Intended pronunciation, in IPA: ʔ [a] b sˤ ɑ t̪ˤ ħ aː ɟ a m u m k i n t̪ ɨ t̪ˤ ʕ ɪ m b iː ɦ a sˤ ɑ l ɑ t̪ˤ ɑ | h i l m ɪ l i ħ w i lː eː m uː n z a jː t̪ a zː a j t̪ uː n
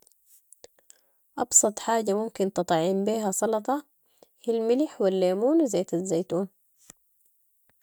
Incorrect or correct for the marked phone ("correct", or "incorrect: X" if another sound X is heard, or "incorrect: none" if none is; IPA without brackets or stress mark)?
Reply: incorrect: ɑ